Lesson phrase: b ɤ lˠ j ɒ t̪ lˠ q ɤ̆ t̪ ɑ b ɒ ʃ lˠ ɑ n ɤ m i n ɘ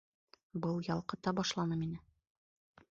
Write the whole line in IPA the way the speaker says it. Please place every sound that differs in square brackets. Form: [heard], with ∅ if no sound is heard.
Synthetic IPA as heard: b ɤ lˠ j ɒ [∅] lˠ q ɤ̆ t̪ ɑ b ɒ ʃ lˠ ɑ n ɤ m i n ɘ